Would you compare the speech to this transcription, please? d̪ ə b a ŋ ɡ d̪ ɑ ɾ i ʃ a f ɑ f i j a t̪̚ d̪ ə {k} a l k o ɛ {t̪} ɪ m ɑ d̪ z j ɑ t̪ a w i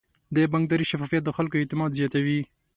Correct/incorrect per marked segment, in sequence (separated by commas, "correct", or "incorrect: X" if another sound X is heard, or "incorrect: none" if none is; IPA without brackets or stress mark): incorrect: x, correct